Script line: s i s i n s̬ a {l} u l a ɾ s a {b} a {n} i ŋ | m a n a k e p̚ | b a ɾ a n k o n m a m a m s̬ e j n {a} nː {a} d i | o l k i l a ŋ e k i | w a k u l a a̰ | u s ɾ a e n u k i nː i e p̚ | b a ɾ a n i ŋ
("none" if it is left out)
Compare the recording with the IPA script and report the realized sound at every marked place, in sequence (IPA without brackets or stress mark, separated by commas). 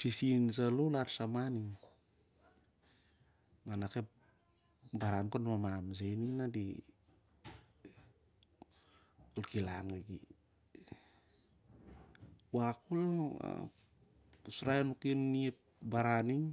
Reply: l, m, n, i, a